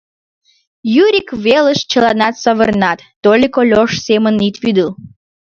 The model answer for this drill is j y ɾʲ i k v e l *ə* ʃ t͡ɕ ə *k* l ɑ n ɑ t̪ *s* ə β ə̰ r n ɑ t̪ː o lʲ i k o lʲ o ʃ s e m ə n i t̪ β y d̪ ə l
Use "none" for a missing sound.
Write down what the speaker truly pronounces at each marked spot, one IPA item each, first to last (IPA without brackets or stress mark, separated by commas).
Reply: ə, none, s